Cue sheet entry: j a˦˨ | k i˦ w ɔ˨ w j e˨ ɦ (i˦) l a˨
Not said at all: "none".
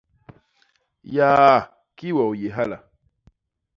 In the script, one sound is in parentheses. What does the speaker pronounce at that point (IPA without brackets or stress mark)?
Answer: a˦